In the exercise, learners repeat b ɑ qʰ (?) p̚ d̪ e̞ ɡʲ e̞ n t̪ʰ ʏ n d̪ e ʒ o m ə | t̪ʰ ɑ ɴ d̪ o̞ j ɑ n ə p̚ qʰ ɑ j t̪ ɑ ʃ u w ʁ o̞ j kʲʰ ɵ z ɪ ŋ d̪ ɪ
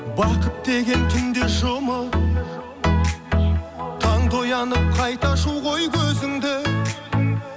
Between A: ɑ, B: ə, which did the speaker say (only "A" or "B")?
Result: B